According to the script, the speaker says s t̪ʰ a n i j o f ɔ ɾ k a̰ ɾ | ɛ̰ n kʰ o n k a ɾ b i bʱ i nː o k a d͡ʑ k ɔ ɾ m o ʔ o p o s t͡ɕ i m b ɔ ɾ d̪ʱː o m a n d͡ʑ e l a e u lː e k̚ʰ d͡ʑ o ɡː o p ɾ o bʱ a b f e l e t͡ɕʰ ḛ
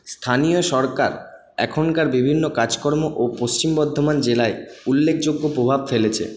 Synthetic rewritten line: s t̪ʰ a n i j o ʃ ɔ ɾ k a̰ ɾ | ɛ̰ kʰ o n k a ɾ b i bʱ i nː o k a d͡ʑ k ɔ ɾ m o ʔ o p o s t͡ɕ i m b ɔ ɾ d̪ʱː o m a n d͡ʑ e l a e u lː e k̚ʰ d͡ʑ o ɡː o p ɾ o bʱ a b f e l e t͡ɕʰ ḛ